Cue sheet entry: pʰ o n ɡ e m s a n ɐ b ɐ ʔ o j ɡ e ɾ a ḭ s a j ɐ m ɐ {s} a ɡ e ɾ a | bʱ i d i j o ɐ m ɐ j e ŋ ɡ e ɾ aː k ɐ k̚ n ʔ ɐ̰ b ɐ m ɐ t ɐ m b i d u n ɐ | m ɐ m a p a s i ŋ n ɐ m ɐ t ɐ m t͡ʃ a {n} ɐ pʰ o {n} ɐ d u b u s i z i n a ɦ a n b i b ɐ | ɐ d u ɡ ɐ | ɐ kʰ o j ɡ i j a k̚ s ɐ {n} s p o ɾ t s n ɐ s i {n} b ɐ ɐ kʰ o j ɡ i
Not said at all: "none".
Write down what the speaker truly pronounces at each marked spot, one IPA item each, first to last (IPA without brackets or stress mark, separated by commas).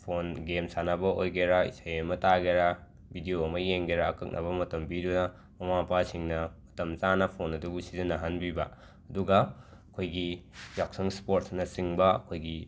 t, n, n, ŋ, ŋ